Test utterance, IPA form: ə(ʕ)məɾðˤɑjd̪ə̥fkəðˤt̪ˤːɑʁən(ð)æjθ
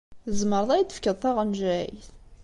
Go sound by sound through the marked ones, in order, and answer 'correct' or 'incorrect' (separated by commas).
incorrect, incorrect